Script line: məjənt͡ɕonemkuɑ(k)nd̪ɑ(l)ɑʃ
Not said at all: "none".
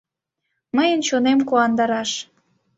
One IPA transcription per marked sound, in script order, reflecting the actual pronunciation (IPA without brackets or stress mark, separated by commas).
none, ɾ